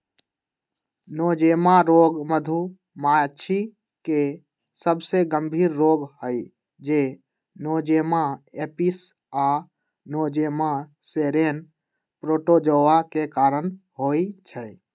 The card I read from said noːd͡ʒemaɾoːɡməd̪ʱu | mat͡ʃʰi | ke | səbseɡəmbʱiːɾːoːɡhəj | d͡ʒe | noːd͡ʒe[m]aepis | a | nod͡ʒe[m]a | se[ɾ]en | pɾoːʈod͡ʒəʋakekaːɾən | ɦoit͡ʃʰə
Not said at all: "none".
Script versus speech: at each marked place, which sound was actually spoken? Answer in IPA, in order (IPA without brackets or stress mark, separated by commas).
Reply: m, m, ɾ